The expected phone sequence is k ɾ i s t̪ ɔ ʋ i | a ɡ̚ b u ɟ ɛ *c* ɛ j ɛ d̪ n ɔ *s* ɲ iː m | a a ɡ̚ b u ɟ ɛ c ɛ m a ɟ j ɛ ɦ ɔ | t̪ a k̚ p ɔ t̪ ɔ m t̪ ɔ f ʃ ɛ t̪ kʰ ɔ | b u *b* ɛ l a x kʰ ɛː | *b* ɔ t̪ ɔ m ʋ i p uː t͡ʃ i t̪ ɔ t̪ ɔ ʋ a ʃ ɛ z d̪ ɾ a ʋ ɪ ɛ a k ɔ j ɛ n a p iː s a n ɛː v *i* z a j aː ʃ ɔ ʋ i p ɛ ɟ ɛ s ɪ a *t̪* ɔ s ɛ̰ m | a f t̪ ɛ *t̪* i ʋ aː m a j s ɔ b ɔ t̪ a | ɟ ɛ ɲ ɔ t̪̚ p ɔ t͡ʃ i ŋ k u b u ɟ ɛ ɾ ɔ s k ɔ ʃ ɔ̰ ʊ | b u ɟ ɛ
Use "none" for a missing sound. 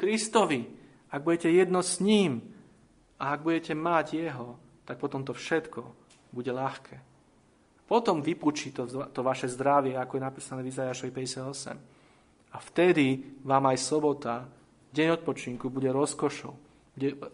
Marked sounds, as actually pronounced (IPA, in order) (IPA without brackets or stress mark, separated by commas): c, s, ɟ, p, i, d̪, d̪